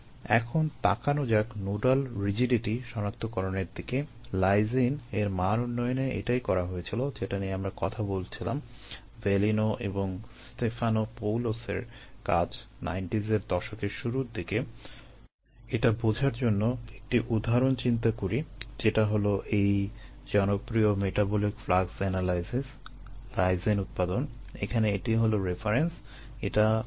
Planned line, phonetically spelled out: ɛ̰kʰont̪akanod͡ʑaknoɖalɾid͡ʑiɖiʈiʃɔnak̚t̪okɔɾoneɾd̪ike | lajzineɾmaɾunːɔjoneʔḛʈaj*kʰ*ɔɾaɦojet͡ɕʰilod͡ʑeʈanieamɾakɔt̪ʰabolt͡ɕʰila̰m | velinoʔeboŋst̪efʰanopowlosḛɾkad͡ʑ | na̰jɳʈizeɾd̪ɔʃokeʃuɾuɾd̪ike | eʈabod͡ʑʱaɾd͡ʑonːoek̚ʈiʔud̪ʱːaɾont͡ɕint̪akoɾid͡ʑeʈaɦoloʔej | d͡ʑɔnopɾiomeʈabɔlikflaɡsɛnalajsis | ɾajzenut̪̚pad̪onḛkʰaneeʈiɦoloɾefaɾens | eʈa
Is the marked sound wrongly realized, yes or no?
yes